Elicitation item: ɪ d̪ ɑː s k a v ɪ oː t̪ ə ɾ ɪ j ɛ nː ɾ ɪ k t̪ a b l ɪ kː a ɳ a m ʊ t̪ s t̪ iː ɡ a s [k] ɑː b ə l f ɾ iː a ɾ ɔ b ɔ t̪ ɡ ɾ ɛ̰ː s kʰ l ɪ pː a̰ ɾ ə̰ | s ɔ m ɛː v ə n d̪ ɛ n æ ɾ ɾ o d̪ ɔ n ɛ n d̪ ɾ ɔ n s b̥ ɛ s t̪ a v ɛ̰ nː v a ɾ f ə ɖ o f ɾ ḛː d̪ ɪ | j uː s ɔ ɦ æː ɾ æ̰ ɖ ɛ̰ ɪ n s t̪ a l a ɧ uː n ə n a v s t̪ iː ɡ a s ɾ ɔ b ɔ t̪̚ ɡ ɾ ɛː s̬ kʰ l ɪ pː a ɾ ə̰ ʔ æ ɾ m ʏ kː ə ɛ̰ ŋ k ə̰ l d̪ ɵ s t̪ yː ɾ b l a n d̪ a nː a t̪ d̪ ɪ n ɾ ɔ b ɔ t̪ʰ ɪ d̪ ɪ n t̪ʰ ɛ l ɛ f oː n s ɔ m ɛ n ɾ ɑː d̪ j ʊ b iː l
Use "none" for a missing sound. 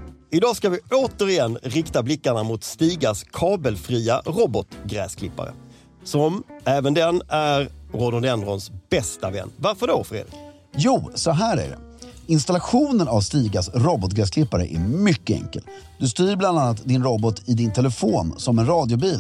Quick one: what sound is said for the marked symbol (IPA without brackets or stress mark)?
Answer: kʰ